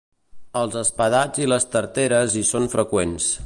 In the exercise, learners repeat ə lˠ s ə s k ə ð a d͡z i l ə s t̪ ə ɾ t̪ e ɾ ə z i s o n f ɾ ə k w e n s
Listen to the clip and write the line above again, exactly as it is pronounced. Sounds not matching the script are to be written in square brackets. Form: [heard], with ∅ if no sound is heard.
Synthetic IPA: ə lˠ [z] ə s [p] ə ð a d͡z i l ə s t̪ ə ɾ t̪ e ɾ ə z i s o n f ɾ ə k w e n s